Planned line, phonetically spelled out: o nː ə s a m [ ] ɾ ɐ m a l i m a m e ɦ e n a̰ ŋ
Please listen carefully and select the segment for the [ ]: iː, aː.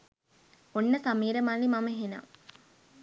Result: iː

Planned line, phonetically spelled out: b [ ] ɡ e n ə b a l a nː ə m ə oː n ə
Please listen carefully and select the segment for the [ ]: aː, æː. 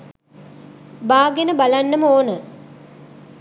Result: aː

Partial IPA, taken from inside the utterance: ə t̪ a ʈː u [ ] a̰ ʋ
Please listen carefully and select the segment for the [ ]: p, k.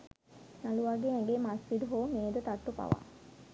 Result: p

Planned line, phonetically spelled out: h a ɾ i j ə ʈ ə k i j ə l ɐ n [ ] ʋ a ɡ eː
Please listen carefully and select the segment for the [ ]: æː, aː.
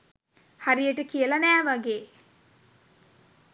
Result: æː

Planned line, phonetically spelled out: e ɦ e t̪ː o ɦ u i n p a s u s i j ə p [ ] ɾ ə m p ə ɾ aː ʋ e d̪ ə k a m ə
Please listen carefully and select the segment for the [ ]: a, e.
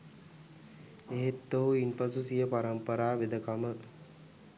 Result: a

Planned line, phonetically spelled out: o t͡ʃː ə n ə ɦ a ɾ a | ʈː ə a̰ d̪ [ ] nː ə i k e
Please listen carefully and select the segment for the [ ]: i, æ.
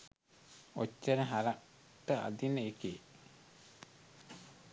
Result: i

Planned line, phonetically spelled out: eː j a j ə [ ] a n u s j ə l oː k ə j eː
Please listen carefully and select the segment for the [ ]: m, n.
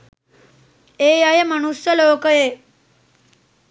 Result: m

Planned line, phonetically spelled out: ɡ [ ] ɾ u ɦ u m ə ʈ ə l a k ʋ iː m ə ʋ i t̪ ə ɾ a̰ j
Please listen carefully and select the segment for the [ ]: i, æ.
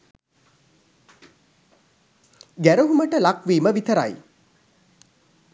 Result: æ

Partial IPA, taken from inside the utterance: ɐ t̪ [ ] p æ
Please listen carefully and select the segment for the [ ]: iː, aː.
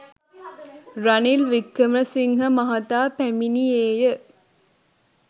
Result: aː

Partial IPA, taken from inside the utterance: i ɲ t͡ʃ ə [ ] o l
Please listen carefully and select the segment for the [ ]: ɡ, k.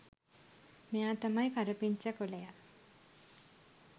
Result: k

